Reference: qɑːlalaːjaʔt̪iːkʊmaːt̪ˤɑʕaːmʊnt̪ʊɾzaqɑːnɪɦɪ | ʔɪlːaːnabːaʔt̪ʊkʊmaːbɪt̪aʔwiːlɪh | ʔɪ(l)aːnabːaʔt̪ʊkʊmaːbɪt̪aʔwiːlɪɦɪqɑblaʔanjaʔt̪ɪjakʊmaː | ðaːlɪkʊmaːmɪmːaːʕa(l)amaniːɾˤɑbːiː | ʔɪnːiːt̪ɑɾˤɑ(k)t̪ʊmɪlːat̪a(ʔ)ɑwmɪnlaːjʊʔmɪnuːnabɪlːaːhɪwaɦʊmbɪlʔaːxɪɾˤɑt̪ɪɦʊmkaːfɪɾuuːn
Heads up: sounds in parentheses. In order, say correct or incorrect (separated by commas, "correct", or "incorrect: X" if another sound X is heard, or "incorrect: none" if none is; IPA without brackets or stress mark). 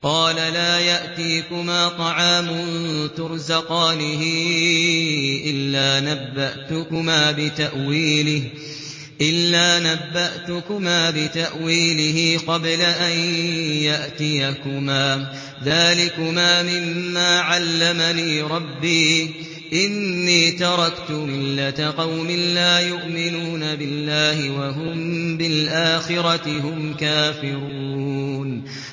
incorrect: lː, incorrect: lː, correct, incorrect: q